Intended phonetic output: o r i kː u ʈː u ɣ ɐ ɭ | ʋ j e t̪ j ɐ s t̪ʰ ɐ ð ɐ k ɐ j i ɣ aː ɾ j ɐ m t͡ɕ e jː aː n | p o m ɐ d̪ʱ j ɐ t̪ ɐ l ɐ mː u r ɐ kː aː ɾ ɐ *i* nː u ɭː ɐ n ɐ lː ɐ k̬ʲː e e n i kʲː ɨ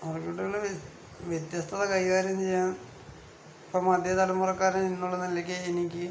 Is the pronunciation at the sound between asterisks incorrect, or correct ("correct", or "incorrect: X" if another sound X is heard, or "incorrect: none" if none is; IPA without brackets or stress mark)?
correct